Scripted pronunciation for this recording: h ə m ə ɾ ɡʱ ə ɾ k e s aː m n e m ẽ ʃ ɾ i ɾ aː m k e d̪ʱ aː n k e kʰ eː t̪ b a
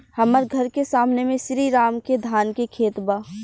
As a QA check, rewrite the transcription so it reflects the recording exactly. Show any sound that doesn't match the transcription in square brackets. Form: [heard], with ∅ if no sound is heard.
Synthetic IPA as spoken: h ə m ə ɾ ɡʱ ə ɾ k e s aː m n e m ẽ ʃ ɾ i ɾ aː m k e d̪ʱ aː n k e kʰ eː t̪ b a